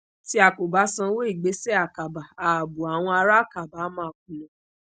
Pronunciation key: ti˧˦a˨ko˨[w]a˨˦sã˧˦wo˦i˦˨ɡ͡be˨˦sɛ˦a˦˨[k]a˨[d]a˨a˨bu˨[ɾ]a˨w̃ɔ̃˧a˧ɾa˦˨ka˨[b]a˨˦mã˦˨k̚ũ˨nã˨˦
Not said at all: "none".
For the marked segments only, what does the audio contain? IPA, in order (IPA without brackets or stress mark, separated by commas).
b, k, b, none, b